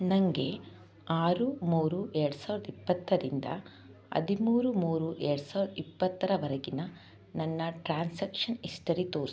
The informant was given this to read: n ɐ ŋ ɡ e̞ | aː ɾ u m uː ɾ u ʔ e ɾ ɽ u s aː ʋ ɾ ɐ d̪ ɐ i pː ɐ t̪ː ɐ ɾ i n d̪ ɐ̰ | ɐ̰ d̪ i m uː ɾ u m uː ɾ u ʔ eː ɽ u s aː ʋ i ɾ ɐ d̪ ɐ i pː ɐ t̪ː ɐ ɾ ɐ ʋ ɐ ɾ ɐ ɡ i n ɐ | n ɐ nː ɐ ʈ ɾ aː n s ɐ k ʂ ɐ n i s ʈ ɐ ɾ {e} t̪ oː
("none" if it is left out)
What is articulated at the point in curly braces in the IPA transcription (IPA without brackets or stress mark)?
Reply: i